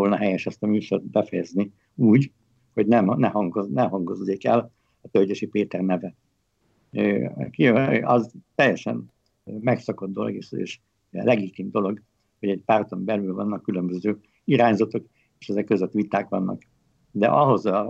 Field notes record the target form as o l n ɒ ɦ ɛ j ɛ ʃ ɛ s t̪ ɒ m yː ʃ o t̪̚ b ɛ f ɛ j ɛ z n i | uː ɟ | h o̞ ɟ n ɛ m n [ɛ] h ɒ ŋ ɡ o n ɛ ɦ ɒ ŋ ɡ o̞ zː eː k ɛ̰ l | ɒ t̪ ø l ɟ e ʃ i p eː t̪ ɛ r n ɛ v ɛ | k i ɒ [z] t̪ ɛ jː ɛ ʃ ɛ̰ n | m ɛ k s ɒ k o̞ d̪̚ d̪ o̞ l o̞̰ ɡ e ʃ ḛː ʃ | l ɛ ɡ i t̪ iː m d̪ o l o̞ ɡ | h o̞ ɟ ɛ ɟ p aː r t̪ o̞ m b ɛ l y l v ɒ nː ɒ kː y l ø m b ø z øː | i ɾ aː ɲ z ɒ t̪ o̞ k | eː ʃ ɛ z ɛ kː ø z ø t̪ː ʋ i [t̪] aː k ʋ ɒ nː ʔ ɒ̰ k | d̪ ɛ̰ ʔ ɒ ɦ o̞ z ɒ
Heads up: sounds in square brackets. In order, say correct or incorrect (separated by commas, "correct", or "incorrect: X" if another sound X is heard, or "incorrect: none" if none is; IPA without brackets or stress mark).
correct, correct, correct